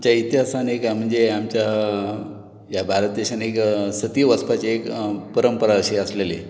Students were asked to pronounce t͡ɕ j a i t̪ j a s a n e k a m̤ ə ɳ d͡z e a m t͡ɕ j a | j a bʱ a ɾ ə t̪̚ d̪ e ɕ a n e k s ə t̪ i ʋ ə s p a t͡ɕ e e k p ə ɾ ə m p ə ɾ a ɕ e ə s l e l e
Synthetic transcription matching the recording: t͡ɕ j a i t̪ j a s a n e k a m̤ ə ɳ d͡z e a m t͡ɕ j a | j a bʱ a ɾ ə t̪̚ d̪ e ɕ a n e k s ə t̪ i ʋ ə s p a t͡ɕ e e k p ə ɾ ə m p ə ɾ a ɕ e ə s l e l e